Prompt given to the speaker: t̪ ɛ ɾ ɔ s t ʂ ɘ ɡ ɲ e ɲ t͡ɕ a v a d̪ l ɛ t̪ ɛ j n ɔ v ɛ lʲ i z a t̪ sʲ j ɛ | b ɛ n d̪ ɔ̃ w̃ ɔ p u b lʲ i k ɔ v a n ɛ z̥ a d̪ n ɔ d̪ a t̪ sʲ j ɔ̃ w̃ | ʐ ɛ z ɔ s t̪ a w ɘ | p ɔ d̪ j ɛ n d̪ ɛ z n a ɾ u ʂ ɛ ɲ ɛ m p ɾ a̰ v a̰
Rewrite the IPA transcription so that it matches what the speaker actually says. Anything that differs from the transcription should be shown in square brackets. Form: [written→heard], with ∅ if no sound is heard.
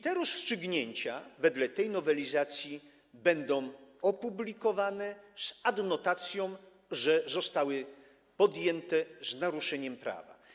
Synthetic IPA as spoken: t̪ ɛ ɾ ɔ s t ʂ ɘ ɡ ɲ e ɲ t͡ɕ a v [a→ɛ] d̪ l ɛ t̪ ɛ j n ɔ v ɛ lʲ i z a t̪ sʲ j [ɛ→i] | b ɛ n d̪ ɔ̃ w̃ ɔ p u b lʲ i k ɔ v a n ɛ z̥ a d̪ n ɔ [d̪→t̪] a t̪ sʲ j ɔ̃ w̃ | ʐ ɛ z ɔ s t̪ a w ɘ | p ɔ d̪ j ɛ n [d̪→t̪] ɛ z n a ɾ u ʂ ɛ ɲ ɛ m p ɾ a̰ v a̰